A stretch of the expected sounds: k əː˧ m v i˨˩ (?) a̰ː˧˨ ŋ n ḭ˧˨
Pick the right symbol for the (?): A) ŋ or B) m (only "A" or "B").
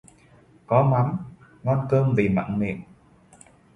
B